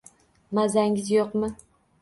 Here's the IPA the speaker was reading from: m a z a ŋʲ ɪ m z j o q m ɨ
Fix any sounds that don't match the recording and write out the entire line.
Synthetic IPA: m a z a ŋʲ ɪ z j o q m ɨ